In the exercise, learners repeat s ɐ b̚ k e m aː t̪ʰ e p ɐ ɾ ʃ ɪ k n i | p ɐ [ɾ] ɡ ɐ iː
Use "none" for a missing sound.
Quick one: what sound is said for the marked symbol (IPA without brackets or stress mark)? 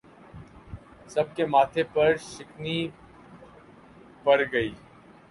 ɾ